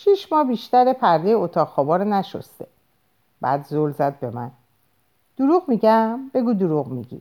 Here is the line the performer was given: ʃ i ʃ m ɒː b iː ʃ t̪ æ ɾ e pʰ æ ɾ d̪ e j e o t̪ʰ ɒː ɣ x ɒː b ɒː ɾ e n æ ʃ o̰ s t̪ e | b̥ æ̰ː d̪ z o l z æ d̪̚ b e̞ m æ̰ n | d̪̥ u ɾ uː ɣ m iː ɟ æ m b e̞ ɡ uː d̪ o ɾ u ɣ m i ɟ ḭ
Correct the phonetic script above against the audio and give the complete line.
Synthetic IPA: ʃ i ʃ m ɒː b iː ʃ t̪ æ ɾ e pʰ æ ɾ d̪ e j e o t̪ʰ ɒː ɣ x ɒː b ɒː ɾ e n æ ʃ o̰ s t̪ e | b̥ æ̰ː d̪ z o l z æ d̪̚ b e̞ m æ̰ n | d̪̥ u ɾ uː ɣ m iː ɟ æ m b e̞ ɡ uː d̪ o ɾ u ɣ m i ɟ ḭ